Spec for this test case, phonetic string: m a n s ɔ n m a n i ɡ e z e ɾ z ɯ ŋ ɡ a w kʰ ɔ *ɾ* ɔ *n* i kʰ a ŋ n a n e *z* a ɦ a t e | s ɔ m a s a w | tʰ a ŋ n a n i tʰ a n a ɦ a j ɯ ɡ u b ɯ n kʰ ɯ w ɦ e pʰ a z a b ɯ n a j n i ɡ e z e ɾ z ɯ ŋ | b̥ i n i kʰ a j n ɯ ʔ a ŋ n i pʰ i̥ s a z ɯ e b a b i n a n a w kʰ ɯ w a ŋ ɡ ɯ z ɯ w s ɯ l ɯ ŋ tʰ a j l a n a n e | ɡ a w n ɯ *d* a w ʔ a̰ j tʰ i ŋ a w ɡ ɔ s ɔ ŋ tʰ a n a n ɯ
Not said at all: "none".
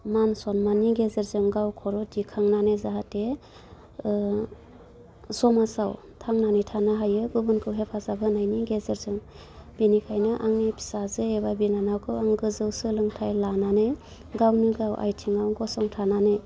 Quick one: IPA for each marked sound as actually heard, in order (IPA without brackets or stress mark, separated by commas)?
ɾ, d, z, ɡ